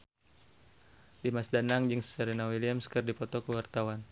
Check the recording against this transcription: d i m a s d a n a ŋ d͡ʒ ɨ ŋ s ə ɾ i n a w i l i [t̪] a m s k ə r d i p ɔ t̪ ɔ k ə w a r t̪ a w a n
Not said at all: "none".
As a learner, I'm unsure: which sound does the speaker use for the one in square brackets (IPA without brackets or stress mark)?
none